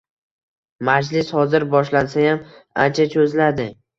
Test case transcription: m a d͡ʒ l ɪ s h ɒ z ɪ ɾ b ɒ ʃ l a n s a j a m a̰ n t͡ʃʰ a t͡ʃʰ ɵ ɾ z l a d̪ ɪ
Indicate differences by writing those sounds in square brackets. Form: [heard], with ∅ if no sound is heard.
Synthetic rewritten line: m a d͡ʒ l ɪ s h ɒ z ɪ ɾ b ɒ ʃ l a n s a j a m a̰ n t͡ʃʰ a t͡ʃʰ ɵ [∅] z l a d̪ ɪ